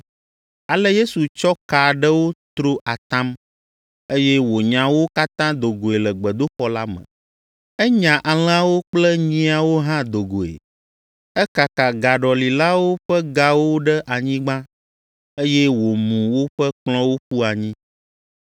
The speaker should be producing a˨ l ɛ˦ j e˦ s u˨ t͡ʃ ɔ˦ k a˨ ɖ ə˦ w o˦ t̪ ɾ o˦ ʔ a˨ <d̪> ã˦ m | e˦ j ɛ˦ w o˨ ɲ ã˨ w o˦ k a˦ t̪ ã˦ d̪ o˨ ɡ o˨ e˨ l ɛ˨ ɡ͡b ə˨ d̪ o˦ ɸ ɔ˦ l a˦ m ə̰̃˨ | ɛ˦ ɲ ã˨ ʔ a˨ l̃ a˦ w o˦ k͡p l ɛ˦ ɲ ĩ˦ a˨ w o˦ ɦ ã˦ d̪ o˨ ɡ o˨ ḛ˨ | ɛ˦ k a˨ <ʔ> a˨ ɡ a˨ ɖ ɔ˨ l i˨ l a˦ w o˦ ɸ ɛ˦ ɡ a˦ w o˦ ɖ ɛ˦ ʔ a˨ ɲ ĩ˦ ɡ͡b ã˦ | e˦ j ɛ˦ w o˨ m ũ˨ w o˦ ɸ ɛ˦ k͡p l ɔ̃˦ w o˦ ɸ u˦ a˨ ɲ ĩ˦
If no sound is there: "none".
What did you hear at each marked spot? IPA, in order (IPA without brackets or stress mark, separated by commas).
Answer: t̪, k